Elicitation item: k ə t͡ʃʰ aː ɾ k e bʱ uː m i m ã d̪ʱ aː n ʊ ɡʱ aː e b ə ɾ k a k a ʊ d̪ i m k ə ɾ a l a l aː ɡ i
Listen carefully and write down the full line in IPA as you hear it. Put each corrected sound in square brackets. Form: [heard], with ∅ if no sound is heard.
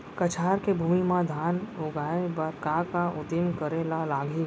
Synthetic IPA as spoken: k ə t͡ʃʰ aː ɾ k e bʱ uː m i m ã d̪ʱ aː n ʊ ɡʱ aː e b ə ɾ k a k a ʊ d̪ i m k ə ɾ [e] l a l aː ɡ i